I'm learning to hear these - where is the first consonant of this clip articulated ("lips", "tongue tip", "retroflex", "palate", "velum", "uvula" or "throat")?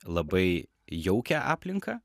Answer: tongue tip